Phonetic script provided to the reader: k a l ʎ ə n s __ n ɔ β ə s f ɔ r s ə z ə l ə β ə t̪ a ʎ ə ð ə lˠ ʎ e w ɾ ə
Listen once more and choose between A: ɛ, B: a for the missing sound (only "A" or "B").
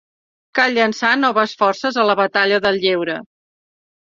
B